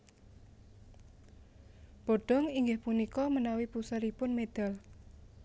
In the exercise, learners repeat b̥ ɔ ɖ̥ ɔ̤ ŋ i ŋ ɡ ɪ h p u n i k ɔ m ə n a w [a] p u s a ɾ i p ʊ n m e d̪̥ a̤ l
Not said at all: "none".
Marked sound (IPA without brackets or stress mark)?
i